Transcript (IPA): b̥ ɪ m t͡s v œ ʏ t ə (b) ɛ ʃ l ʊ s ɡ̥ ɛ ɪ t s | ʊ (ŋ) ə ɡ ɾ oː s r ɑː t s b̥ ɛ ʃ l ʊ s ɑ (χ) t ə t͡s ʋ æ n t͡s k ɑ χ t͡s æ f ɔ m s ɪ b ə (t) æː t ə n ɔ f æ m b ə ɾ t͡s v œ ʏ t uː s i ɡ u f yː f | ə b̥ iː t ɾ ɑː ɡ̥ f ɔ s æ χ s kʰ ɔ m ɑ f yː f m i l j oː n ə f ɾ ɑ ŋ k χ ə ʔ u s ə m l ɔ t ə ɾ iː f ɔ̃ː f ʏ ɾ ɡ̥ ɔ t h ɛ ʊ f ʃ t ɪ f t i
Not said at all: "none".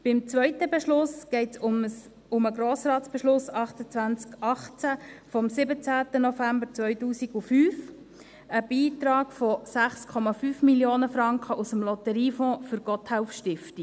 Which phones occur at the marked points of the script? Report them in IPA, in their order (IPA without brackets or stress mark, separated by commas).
b, m, χ, t͡s